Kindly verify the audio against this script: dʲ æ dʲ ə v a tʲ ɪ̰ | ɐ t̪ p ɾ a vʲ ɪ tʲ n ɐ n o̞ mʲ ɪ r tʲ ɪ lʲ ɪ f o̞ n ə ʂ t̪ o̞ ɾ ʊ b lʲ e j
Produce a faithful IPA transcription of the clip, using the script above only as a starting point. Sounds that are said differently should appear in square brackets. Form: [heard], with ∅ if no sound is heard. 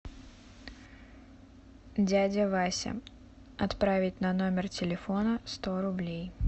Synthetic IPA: dʲ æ dʲ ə v a [sʲ] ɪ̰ | ɐ t̪ p ɾ a vʲ ɪ tʲ n ɐ n o̞ mʲ ɪ r tʲ ɪ lʲ ɪ f o̞ n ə [s] t̪ o̞ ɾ ʊ b lʲ e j